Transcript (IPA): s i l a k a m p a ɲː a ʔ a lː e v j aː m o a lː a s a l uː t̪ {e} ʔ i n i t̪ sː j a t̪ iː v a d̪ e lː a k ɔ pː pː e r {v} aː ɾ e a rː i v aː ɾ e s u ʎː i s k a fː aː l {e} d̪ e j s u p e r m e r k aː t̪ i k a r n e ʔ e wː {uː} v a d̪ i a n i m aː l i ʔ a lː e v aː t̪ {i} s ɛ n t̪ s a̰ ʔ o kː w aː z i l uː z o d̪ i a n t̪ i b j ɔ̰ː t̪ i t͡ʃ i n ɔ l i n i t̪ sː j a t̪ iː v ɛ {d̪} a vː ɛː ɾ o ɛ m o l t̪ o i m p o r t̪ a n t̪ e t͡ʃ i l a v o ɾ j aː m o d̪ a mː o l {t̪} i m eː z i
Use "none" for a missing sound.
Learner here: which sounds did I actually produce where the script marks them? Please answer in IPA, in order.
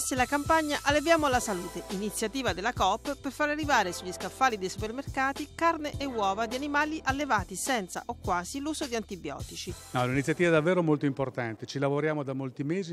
e, f, i, ɔː, i, d̪, t̪

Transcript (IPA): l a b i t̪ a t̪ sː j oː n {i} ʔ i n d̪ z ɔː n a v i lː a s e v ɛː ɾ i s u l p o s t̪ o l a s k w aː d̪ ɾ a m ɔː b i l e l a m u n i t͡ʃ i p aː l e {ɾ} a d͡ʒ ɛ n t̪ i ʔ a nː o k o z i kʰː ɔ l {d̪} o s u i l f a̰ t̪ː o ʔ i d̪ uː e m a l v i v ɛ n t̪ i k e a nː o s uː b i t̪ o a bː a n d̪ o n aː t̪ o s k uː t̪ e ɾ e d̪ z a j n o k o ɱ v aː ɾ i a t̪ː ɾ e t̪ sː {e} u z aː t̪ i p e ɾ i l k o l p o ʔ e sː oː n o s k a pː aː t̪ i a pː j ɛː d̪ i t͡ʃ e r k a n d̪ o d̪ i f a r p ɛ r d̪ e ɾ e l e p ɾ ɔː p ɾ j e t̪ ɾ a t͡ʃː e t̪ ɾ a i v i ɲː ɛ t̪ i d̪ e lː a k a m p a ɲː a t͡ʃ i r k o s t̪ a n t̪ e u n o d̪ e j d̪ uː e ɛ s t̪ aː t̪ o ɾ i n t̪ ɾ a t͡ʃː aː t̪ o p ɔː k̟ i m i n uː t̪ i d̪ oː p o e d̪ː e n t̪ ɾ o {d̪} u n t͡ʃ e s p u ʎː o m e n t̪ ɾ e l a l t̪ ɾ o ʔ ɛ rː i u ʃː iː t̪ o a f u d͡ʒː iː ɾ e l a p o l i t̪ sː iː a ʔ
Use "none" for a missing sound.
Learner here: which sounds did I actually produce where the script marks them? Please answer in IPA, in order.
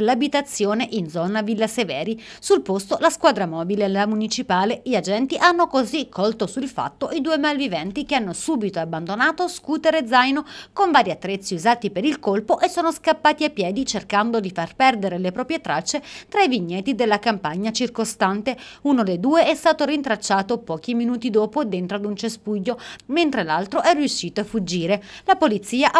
e, ʎ, t̪, i, d̪

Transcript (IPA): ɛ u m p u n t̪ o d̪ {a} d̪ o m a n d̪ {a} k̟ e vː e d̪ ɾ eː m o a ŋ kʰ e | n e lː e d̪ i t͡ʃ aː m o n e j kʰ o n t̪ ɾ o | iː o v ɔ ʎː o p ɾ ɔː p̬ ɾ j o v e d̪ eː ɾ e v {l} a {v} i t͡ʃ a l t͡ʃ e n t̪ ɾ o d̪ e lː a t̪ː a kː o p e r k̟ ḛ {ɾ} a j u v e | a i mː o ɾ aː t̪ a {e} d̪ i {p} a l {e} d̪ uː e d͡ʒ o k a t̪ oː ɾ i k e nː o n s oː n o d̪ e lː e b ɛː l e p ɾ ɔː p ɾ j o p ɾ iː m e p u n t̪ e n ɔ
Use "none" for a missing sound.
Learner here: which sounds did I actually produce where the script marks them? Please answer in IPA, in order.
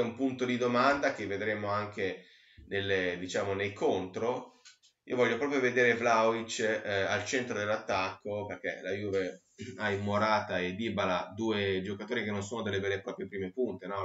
i, a, l, w, l, e, b, a

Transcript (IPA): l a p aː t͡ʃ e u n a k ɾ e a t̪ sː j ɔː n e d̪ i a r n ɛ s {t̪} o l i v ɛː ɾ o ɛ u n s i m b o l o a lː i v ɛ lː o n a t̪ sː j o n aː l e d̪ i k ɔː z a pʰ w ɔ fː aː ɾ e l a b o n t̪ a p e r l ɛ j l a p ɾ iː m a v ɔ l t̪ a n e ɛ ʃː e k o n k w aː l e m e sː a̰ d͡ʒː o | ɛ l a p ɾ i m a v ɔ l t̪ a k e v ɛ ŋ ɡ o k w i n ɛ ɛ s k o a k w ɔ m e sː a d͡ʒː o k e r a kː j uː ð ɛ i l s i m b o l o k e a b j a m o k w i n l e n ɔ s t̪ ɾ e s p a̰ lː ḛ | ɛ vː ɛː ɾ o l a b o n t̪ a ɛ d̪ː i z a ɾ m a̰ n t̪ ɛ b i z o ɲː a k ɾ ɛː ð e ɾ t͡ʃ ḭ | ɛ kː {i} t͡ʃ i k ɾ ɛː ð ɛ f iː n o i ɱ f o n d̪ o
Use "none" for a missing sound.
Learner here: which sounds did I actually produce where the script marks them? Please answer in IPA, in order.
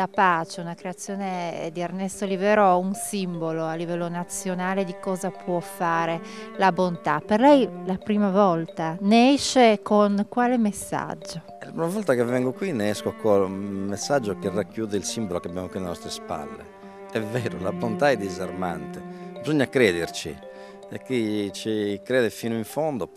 t̪, i

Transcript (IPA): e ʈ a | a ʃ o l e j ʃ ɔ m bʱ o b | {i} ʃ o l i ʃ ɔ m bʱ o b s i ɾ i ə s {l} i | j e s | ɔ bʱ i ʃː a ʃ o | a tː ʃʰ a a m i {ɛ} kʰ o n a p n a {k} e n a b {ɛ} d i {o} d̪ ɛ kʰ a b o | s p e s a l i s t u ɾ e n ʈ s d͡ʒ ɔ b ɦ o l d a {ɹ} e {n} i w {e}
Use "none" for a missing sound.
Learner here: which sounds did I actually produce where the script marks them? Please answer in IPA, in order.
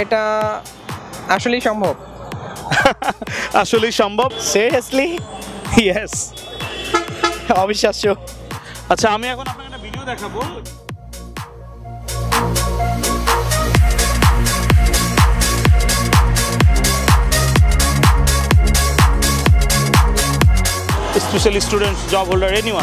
a, l, ɛ, k, i, o, ɹ, n, a

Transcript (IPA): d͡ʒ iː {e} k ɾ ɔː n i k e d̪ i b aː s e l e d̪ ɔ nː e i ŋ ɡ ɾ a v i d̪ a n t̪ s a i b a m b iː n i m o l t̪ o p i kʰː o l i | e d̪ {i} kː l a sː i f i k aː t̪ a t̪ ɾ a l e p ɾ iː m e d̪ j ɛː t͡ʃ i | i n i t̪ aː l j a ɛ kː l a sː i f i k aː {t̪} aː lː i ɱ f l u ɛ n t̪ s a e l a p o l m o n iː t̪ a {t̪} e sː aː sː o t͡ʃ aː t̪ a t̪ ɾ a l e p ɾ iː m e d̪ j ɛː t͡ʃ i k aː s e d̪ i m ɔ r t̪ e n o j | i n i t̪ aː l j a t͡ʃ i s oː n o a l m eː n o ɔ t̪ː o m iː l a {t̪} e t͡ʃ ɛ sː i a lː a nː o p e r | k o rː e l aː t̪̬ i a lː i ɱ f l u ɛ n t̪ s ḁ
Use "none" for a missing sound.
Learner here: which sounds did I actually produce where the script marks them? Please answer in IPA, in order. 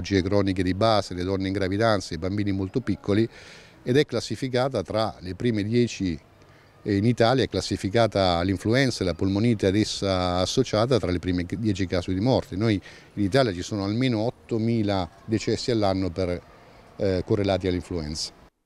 e, ɛ, t̪, d̪, d̪

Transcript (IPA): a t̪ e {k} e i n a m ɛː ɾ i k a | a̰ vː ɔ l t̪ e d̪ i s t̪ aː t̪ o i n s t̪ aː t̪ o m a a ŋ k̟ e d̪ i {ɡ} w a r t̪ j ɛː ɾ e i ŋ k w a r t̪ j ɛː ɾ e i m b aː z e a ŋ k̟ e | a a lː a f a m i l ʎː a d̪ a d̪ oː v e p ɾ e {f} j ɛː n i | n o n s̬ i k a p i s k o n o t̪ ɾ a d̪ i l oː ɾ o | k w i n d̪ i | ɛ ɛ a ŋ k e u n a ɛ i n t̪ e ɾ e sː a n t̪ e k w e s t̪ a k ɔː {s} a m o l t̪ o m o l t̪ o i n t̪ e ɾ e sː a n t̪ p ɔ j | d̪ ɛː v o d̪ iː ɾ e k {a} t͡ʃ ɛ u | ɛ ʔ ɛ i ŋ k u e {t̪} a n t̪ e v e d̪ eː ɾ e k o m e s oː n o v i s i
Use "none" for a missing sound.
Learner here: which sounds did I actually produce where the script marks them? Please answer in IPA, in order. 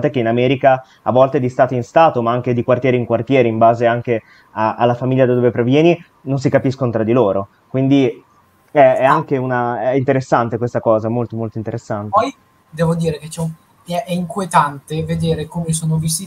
k, k, v, z, e, t̪

